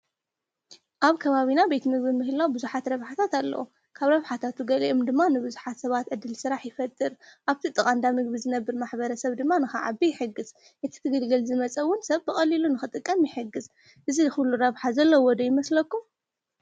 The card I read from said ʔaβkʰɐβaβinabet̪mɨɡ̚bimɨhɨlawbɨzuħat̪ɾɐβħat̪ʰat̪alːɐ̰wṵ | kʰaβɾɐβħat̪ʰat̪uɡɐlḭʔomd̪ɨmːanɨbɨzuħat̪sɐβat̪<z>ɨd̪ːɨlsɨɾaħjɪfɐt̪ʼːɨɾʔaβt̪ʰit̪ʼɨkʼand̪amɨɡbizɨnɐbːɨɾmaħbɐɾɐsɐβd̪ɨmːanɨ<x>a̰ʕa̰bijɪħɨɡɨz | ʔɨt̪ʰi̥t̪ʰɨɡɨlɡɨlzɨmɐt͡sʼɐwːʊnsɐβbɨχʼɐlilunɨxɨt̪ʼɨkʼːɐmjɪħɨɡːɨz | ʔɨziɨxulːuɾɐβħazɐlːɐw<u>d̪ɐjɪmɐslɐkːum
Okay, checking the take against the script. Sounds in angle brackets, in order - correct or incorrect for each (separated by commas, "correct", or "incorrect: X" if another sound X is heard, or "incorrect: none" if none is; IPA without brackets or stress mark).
incorrect: ʕ, correct, incorrect: ɔ